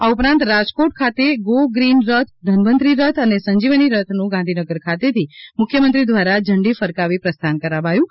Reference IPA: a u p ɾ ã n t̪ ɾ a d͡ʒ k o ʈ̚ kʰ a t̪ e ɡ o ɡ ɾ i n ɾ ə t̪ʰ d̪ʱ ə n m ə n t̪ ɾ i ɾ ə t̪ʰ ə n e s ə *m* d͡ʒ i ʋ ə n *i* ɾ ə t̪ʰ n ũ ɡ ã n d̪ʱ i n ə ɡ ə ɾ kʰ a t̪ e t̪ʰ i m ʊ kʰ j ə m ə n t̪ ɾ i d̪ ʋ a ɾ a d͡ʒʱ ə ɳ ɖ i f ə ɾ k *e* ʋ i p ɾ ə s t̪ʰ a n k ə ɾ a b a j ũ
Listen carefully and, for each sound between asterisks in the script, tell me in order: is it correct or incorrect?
incorrect: ɲ, correct, incorrect: a

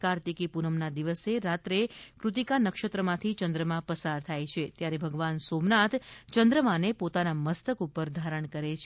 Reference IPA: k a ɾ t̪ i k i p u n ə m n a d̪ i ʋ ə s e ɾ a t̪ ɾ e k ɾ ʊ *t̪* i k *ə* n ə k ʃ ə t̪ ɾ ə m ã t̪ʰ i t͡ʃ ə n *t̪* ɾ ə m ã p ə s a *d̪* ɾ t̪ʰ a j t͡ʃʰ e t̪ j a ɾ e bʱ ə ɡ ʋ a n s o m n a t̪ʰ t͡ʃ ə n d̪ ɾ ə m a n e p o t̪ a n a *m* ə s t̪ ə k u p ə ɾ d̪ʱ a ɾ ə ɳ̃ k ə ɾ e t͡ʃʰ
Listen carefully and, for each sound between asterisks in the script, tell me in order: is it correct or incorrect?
correct, incorrect: a, incorrect: d̪, incorrect: none, correct

